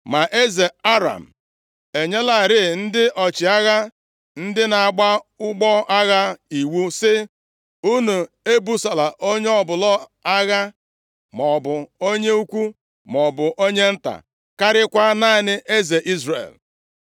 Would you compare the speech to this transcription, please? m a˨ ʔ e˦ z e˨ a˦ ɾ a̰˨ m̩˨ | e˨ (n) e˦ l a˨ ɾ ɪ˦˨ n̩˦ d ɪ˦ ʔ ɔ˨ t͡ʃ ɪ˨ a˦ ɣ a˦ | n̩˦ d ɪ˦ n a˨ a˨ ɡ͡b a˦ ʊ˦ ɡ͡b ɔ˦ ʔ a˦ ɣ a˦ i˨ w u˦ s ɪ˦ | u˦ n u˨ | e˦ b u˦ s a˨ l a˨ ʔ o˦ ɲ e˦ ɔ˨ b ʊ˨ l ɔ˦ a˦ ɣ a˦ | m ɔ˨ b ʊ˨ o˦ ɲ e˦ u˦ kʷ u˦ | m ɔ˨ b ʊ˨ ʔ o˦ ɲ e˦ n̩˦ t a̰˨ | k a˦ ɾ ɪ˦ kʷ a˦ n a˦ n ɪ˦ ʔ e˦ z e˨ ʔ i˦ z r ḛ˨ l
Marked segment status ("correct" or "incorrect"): incorrect